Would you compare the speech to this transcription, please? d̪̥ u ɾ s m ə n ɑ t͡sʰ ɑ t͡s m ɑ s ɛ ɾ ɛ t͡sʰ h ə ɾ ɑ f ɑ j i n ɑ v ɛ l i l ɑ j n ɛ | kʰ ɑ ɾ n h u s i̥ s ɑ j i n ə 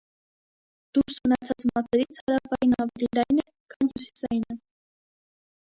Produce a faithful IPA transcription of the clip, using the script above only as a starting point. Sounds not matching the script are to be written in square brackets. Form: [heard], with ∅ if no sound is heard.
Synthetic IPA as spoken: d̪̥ u ɾ s m ə n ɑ t͡sʰ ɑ t͡s m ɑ s ɛ ɾ [i] t͡sʰ h [ɑ] ɾ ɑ f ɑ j i n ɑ v ɛ l i l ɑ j n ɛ | kʰ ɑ [∅] n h u s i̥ s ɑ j i n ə